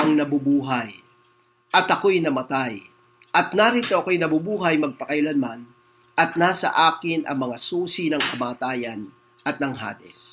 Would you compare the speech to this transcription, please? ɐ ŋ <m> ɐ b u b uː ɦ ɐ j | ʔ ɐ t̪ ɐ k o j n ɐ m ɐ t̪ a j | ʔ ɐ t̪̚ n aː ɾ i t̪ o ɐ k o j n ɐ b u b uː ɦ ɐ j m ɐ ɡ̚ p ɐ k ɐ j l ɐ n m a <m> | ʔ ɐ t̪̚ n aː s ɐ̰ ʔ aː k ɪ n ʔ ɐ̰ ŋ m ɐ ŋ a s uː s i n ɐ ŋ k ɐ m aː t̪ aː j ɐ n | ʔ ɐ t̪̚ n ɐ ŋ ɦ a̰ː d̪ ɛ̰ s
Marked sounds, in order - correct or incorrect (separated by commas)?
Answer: incorrect, incorrect